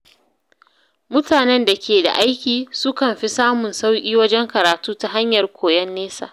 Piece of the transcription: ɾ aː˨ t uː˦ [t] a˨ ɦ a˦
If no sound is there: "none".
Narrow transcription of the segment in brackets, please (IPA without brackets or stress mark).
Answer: t